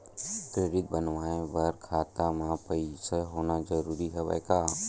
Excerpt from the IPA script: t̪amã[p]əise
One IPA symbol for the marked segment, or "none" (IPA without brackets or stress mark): p